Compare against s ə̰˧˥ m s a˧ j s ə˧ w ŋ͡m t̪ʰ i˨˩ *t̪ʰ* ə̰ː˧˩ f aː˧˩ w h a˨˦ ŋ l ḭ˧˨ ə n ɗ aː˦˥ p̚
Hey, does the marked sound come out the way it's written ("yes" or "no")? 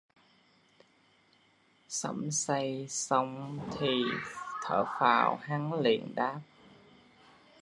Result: yes